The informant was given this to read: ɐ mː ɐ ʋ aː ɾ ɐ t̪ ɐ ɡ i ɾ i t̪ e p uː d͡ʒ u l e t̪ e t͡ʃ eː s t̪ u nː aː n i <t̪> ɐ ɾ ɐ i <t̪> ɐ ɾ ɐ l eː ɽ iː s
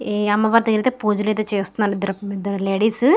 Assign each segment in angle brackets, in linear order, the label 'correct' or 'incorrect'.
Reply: incorrect: d̪, incorrect: d̪

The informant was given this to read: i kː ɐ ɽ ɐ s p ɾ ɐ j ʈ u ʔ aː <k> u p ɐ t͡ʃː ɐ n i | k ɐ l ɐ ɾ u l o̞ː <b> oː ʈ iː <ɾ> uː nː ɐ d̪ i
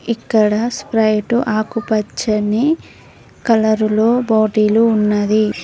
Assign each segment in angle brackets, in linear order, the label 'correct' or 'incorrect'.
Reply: correct, correct, incorrect: l

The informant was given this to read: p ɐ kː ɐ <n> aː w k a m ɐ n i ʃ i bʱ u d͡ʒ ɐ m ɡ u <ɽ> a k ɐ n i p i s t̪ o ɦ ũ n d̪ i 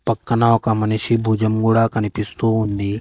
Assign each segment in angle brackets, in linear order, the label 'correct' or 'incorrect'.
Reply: correct, correct

